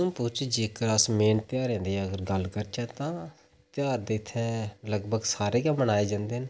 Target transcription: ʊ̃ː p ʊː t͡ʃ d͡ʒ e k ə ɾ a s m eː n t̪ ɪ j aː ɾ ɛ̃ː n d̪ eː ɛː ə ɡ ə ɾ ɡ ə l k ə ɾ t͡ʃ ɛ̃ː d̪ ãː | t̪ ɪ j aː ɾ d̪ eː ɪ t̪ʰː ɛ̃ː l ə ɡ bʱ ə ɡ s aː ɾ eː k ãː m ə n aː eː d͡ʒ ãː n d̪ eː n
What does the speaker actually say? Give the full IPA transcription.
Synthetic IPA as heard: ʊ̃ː p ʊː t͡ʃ d͡ʒ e k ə ɾ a s m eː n t̪ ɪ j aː ɾ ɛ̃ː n d̪ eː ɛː ə ɡ ə ɾ ɡ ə l k ə ɾ t͡ʃ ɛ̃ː t̪ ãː | t̪ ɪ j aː ɾ d̪ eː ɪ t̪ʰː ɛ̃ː l ə ɡ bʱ ə ɡ s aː ɾ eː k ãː m ə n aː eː d͡ʒ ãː n d̪ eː n